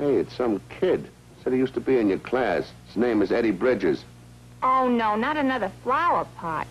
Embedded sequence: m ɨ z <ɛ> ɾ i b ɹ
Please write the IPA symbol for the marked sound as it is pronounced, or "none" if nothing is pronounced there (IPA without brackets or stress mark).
ɛ